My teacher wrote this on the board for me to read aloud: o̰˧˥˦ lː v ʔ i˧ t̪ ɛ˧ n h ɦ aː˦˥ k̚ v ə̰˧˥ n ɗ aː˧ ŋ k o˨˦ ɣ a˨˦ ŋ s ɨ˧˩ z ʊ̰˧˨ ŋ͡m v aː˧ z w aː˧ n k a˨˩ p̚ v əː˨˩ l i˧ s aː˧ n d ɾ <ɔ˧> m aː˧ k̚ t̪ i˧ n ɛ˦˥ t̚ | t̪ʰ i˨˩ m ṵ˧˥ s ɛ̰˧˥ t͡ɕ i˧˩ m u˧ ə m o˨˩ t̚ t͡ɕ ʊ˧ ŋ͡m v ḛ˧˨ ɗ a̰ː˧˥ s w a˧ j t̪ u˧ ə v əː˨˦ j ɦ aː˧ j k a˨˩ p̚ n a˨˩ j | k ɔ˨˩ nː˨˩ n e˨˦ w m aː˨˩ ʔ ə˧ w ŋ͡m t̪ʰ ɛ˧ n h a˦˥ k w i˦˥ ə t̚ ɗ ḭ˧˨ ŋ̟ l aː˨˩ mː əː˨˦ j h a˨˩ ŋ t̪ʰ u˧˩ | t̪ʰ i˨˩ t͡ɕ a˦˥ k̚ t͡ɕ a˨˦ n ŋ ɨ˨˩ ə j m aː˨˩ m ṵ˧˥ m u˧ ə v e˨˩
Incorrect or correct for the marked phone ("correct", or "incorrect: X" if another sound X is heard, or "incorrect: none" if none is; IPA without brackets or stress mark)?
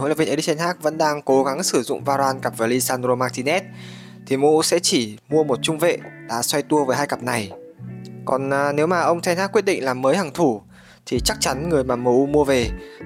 incorrect: o˧